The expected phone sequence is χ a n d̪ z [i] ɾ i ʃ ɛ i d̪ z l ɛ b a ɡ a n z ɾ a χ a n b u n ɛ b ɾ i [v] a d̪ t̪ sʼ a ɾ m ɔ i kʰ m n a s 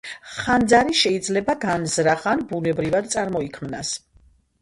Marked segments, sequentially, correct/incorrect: incorrect, correct

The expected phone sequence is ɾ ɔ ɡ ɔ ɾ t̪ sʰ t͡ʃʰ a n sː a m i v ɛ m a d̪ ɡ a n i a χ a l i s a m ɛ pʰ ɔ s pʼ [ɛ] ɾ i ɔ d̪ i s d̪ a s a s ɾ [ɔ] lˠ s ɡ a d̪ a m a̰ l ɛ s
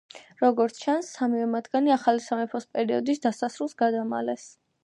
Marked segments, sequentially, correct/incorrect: correct, incorrect

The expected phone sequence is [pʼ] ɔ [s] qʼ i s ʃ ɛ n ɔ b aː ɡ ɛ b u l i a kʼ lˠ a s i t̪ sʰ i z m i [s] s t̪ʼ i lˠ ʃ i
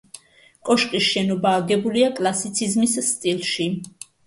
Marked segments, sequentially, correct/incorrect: incorrect, incorrect, correct

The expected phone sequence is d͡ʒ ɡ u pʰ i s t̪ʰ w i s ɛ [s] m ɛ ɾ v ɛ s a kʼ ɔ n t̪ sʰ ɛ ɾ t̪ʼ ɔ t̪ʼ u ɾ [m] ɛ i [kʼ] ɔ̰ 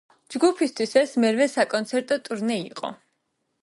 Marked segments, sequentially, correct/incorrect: correct, incorrect, incorrect

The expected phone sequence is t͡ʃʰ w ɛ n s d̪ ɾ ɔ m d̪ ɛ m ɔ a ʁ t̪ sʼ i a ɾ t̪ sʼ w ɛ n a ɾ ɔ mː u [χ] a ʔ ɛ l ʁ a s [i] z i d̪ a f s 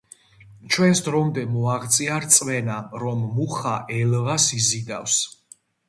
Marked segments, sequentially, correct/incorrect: correct, correct

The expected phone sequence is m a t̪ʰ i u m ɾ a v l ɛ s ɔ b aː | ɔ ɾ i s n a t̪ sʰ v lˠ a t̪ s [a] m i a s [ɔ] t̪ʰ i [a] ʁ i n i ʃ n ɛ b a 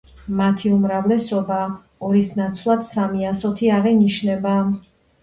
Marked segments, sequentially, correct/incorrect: correct, correct, correct

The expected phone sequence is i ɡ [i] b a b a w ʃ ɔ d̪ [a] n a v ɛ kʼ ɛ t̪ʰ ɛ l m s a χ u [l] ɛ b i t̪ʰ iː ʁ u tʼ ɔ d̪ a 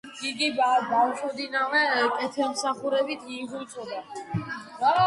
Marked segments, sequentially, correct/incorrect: correct, incorrect, incorrect

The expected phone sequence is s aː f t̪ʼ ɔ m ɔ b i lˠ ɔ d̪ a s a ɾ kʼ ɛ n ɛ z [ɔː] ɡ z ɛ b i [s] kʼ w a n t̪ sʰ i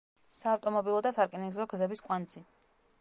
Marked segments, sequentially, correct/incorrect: incorrect, correct

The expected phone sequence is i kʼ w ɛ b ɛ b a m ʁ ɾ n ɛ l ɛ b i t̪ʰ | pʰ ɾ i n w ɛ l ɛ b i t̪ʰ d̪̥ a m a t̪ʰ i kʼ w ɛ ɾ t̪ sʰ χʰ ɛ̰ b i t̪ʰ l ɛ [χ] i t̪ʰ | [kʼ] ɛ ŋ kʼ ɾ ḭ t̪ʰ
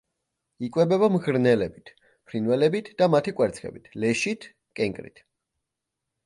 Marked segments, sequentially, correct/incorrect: incorrect, correct

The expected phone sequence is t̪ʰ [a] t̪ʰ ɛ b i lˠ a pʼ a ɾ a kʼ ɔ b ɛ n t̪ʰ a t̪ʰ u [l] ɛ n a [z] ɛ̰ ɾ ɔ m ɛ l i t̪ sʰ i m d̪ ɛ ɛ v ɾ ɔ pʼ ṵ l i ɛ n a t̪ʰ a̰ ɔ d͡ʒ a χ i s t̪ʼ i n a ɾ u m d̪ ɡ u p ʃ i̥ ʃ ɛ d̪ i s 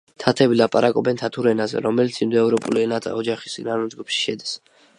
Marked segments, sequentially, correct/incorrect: correct, incorrect, correct

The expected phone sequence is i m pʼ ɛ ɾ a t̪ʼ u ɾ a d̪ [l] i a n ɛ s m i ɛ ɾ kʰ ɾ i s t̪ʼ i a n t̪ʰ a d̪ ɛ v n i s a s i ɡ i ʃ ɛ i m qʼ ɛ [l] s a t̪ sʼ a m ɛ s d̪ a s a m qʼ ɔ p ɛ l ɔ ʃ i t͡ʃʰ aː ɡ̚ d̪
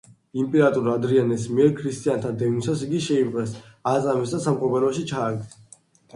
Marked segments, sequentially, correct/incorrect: incorrect, incorrect

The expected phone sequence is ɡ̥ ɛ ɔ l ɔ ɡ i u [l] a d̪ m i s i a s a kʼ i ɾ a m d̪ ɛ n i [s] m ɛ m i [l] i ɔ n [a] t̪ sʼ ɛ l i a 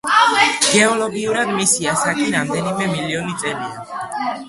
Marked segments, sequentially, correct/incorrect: incorrect, incorrect, correct, incorrect

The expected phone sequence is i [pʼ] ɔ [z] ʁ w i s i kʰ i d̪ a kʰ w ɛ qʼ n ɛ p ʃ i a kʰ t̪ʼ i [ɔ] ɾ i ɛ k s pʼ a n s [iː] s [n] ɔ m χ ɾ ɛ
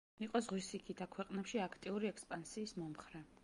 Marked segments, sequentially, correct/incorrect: incorrect, correct, incorrect, correct, incorrect

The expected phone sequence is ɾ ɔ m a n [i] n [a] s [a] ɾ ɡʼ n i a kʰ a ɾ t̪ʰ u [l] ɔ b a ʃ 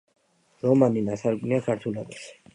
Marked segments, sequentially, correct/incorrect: correct, correct, correct, correct

